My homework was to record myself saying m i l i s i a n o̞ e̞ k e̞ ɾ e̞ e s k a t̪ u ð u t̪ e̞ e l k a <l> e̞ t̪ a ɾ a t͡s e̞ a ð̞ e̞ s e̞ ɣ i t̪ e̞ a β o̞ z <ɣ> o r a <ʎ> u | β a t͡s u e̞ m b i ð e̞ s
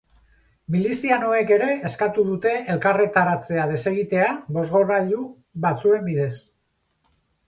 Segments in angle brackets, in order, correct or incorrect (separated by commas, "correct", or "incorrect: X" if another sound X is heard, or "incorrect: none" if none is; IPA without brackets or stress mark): incorrect: r, correct, correct